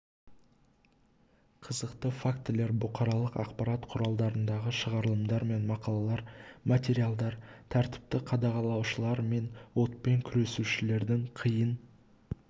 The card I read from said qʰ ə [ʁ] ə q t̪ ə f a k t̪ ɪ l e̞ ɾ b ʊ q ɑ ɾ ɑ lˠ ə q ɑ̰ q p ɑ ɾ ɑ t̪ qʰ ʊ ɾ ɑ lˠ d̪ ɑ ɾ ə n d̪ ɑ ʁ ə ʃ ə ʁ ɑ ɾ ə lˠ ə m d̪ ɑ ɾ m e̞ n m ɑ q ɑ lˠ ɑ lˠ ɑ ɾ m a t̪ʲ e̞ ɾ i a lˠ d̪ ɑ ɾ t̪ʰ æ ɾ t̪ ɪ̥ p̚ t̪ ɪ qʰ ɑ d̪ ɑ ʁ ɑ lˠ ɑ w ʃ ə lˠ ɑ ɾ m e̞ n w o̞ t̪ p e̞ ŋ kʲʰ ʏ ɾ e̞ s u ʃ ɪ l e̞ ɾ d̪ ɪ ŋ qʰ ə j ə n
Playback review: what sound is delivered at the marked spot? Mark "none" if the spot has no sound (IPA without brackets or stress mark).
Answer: z